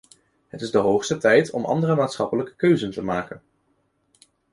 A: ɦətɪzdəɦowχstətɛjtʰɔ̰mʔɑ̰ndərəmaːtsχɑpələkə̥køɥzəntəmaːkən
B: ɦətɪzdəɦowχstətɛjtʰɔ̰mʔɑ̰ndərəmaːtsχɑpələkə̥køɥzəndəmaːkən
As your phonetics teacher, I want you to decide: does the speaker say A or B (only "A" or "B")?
A